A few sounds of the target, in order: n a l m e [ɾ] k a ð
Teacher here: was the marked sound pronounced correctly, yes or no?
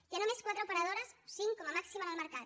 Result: yes